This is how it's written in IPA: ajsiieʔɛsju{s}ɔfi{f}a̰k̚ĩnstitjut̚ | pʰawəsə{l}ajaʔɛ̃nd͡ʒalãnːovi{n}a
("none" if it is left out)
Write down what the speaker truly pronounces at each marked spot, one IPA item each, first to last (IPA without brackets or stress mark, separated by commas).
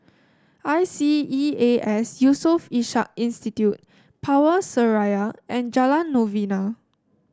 s, ʃ, ɹ, n